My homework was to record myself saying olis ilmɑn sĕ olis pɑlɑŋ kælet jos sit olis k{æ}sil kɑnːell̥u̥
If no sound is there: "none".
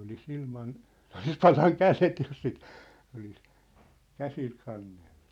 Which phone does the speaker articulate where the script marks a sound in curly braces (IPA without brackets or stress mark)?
æ